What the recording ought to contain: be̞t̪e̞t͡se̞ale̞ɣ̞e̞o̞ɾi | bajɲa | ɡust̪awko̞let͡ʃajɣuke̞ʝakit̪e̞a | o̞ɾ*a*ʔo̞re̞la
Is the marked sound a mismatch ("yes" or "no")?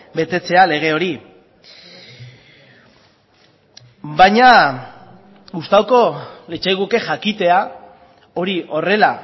yes